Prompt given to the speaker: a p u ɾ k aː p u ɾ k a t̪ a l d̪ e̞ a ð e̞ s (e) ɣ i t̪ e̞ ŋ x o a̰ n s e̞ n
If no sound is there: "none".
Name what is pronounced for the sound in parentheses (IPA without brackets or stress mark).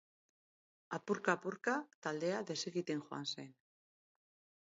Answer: e